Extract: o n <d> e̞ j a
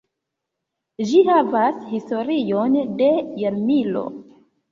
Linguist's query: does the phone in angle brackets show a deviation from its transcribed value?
no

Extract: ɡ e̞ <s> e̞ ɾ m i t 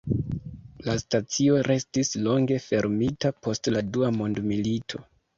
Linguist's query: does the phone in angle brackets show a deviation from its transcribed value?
yes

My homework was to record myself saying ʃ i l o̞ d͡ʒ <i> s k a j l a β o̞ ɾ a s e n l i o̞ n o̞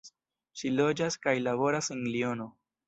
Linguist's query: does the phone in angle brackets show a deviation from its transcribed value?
yes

